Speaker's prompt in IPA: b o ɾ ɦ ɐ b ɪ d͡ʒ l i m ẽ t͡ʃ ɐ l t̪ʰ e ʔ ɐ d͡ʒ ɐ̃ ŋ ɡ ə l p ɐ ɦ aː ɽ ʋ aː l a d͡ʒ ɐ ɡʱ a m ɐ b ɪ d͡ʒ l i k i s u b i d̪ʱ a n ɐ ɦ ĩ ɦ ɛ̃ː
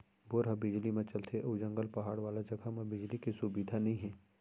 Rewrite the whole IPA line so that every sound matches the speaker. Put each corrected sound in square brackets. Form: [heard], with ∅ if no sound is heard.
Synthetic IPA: b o ɾ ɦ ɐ b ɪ d͡ʒ l i m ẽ t͡ʃ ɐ l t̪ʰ e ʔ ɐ d͡ʒ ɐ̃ ŋ ɡ ə l p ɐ ɦ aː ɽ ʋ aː l a d͡ʒ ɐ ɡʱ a m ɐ b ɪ d͡ʒ l i k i s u b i d̪ʱ a n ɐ ɦ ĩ ɦ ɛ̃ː